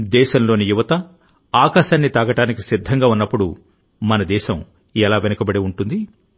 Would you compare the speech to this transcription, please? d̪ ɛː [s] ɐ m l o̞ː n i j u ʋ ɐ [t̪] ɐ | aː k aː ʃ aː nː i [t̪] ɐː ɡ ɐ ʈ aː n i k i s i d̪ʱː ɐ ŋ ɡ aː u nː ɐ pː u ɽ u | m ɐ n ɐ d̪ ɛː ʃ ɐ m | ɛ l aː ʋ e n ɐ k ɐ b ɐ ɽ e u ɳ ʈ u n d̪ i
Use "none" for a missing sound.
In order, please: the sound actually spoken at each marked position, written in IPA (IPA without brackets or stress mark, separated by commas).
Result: ʃ, t̪, t̪